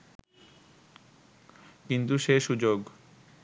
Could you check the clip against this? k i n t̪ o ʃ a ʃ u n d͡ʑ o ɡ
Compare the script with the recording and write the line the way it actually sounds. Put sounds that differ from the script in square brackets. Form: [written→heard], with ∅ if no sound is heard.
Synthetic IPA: k i n t̪ [o→u] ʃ [a→e] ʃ u [n→∅] d͡ʑ o ɡ